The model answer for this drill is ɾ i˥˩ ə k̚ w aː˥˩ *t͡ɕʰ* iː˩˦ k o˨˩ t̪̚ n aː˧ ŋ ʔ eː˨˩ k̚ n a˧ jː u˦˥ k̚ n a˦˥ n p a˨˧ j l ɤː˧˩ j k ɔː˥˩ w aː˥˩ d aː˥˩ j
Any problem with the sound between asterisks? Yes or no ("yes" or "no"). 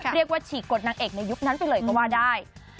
no